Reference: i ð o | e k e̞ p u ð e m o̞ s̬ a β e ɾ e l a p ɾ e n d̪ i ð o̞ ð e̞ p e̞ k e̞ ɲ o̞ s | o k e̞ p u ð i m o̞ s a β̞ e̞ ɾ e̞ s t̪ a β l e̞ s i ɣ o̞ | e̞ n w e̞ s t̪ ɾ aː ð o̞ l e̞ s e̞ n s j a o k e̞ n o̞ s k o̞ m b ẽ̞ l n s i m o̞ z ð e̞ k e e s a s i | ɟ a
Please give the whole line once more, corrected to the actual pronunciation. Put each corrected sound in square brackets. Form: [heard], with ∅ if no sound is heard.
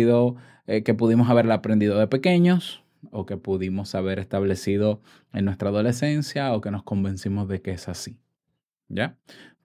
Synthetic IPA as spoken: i ð o | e k e̞ p u ð [i] m o̞ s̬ a β e ɾ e l a p ɾ e n d̪ i ð o̞ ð e̞ p e̞ k e̞ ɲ o̞ s | o k e̞ p u ð i m o̞ s a β̞ e̞ ɾ e̞ s t̪ a β l e̞ s i [ð] o̞ | e̞ n w e̞ s t̪ ɾ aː ð o̞ l e̞ s e̞ n s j a o k e̞ n o̞ s k o̞ m b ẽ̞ [∅] n s i m o̞ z ð e̞ k e e s a s i | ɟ a